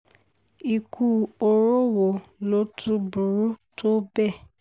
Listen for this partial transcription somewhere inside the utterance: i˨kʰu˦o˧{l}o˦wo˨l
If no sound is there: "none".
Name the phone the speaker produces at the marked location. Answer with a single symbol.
ɾ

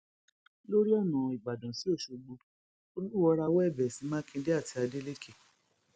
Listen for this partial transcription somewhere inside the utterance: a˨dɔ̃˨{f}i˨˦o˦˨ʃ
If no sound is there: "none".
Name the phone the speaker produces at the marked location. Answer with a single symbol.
s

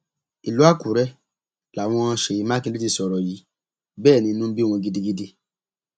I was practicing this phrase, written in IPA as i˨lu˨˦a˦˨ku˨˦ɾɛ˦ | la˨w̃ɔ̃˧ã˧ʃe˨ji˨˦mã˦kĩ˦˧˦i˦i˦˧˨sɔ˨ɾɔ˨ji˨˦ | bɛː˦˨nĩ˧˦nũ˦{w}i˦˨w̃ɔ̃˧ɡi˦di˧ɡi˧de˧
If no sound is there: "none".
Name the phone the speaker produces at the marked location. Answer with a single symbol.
b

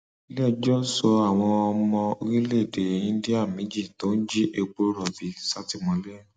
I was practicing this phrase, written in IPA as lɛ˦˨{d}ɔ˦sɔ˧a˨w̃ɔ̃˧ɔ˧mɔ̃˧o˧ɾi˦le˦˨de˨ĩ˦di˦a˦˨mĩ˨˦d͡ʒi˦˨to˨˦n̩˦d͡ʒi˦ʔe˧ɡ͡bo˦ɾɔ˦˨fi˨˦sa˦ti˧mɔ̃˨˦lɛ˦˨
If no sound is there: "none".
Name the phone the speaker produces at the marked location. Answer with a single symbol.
d͡ʒ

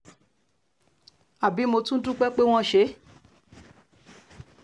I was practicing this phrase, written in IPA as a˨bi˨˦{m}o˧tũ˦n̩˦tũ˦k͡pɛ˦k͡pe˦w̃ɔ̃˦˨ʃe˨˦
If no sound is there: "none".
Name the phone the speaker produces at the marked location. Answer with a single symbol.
m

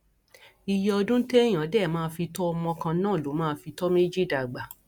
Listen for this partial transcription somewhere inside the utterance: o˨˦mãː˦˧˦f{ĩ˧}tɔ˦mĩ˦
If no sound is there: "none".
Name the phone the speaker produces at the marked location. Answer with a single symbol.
i˧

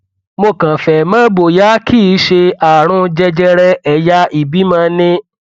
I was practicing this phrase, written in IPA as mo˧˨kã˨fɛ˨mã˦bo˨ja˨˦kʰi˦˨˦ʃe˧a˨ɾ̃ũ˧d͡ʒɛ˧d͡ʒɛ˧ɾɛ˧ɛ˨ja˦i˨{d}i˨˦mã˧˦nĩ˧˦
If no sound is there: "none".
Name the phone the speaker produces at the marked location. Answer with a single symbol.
b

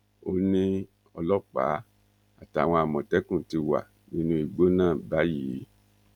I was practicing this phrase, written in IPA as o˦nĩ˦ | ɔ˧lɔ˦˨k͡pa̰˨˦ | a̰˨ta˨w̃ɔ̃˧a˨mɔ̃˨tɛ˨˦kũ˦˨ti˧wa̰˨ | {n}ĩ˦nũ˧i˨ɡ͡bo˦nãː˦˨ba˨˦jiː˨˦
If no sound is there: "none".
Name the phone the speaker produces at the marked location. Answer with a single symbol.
n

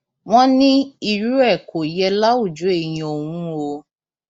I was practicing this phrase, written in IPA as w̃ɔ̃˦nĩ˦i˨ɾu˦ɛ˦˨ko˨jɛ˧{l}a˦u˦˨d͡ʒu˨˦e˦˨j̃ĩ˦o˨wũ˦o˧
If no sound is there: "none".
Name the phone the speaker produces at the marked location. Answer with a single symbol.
l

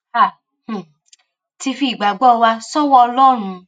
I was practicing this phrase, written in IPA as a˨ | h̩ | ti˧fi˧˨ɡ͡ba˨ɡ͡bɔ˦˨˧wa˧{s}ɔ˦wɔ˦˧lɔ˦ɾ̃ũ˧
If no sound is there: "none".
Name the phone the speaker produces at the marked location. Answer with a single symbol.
s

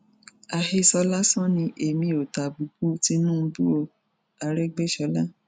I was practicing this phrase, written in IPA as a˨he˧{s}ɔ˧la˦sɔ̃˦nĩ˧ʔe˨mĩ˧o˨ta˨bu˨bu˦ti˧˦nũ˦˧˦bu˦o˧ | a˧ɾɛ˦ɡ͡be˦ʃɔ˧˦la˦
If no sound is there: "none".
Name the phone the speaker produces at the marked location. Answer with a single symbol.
s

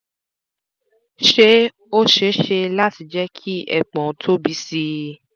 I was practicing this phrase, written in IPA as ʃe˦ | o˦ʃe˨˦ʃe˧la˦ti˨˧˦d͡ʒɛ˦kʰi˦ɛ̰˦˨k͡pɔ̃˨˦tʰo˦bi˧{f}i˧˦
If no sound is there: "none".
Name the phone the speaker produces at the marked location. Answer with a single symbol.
s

